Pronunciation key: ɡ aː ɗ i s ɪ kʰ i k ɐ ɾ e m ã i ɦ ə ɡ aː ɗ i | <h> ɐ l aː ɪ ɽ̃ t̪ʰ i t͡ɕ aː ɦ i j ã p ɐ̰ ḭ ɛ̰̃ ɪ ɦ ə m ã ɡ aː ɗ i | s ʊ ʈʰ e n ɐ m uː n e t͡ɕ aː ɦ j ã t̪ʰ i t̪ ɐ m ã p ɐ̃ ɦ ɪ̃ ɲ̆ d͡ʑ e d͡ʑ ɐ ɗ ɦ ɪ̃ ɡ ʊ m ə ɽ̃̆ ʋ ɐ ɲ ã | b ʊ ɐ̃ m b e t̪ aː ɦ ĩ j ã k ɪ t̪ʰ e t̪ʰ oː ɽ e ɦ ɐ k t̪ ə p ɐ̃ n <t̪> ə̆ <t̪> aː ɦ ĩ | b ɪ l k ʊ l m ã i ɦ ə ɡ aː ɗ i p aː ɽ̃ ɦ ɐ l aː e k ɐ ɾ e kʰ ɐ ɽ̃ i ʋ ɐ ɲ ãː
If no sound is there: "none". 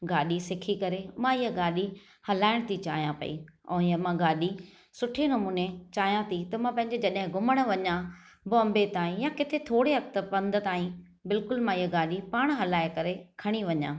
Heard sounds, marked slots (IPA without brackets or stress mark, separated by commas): h, d̪, t̪